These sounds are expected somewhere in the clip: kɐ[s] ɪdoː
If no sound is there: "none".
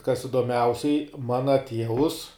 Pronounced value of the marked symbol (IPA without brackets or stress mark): s